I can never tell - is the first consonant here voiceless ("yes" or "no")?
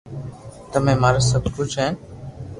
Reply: yes